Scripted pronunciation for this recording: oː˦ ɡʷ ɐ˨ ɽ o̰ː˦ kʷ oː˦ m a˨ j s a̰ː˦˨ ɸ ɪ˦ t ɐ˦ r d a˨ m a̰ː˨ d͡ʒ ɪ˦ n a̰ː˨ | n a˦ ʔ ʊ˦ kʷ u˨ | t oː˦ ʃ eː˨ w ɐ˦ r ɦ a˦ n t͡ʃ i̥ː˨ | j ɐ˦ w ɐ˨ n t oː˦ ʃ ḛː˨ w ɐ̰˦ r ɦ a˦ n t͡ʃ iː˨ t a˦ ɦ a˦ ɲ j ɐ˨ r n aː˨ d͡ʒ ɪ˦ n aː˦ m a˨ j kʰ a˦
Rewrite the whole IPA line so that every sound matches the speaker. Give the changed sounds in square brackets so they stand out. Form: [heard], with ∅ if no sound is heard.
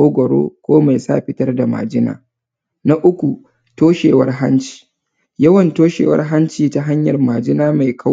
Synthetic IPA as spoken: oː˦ ɡʷ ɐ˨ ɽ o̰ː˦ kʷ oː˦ m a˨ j s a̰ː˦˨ ɸ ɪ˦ t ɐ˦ r d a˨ m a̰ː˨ d͡ʒ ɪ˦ n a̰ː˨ | n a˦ ʔ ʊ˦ kʷ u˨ | t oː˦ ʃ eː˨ w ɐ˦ r ɦ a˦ n t͡ʃ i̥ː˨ | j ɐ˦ w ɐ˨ n t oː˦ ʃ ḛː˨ w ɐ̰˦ r ɦ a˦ n t͡ʃ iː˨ t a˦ ɦ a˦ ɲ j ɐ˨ r [m] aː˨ d͡ʒ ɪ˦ n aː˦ m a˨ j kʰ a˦